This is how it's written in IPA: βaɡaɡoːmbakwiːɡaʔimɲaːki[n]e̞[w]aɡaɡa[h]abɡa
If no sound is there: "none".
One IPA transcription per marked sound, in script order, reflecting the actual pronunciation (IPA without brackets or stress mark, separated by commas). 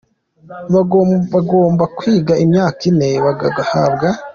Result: n, β, h